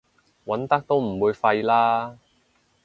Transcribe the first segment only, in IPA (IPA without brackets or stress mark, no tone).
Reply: w